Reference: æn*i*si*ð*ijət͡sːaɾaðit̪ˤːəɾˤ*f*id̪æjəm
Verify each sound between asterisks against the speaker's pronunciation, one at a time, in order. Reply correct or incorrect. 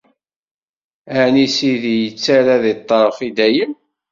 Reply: correct, correct, correct

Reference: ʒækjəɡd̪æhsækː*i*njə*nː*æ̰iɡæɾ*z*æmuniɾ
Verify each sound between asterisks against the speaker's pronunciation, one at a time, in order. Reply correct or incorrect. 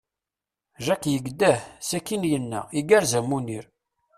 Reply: correct, correct, correct

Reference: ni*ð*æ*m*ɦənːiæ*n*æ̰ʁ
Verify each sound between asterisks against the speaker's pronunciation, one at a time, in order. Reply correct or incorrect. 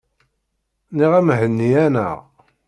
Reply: incorrect: ʁ, correct, correct

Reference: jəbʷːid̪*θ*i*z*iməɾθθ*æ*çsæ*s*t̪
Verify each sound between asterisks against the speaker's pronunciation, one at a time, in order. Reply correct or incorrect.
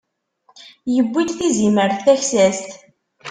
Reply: correct, correct, correct, correct

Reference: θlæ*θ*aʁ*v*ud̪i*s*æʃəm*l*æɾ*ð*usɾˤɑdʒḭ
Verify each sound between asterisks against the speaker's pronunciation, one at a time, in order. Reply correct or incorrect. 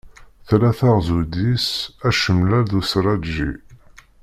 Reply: correct, incorrect: z, correct, correct, correct

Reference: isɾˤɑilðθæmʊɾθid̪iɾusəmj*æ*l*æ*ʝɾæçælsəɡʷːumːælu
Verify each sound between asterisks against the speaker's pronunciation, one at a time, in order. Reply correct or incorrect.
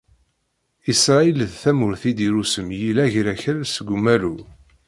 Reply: incorrect: i, correct

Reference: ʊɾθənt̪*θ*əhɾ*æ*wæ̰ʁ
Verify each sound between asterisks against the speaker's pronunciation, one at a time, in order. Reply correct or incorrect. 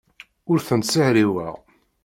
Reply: incorrect: s, incorrect: i

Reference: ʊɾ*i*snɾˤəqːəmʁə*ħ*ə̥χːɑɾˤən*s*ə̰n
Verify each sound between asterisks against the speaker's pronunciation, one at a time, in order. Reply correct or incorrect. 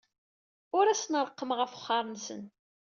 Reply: incorrect: æ, incorrect: f, correct

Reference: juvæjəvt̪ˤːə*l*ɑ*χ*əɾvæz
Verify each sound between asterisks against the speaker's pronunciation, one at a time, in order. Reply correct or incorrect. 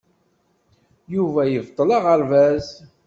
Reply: correct, incorrect: ʁ

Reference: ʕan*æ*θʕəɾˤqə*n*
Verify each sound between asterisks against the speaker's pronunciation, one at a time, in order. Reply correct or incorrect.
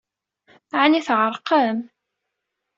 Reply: incorrect: i, incorrect: m

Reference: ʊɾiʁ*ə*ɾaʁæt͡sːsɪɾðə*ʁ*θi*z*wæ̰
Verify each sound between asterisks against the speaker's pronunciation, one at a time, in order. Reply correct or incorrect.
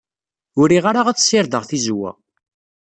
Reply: incorrect: a, correct, correct

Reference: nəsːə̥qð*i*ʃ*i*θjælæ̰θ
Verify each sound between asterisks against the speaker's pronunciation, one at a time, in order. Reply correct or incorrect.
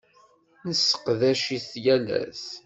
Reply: incorrect: æ, correct

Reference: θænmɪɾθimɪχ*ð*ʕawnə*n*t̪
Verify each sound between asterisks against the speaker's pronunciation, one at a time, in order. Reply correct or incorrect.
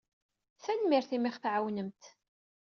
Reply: incorrect: θ, incorrect: m

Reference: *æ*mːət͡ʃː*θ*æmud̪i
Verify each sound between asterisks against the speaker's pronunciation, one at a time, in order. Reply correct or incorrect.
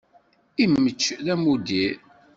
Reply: incorrect: i, incorrect: ð

